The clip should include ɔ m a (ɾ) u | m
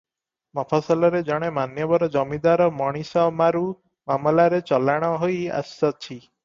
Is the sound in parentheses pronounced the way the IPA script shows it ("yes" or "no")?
yes